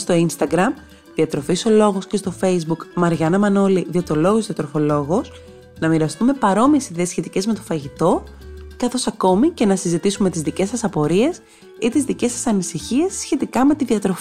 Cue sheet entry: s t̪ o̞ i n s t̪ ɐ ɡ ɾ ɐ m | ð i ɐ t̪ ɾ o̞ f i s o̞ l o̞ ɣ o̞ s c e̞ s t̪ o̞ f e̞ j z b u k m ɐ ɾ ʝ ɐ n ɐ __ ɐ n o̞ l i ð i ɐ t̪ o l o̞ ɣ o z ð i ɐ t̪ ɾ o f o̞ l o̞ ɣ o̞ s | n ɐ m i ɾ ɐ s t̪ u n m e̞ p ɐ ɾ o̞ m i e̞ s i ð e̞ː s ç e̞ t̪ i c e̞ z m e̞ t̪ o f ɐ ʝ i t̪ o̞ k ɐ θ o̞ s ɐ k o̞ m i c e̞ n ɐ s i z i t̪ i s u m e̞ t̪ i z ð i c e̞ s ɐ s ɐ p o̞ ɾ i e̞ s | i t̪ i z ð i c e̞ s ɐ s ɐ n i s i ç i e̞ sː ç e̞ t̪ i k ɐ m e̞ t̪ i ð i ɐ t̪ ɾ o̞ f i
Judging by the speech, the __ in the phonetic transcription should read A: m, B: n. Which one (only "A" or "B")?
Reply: A